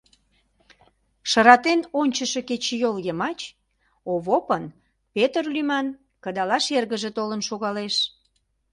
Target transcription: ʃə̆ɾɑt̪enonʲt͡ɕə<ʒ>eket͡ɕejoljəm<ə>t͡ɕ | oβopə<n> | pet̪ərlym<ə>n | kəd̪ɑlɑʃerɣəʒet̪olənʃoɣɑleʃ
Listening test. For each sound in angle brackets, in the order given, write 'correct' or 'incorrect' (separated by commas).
incorrect, incorrect, correct, incorrect